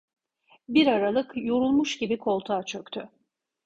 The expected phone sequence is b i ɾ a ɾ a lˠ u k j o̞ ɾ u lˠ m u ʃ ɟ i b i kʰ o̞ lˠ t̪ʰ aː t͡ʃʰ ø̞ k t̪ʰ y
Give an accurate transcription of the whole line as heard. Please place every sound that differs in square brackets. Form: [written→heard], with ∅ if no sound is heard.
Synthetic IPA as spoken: b i ɾ a ɾ a lˠ [u→ɯ] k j o̞ ɾ u lˠ m u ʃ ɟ i b i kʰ o̞ lˠ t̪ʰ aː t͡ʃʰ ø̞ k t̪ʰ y